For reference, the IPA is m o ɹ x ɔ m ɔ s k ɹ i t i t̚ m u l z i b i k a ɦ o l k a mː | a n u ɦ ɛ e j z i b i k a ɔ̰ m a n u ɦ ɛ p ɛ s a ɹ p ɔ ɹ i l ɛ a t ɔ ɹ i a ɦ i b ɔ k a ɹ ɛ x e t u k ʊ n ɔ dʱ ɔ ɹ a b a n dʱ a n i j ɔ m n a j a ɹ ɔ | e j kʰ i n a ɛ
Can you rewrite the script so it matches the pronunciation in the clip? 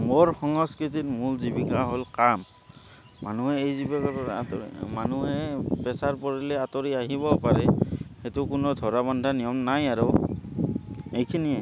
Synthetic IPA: m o ɹ x ɔ ŋ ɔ s k ɹ i t i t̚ m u l z i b i k a ɦ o l k a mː | a n u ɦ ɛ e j z i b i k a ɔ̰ m a n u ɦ ɛ p ɛ s a ɹ p ɔ ɹ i l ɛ a t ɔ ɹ i a ɦ i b ɔ p a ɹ ɛ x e t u k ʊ n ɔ dʱ ɔ ɹ a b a n dʱ a n i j ɔ m n a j a ɹ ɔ | e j kʰ i n i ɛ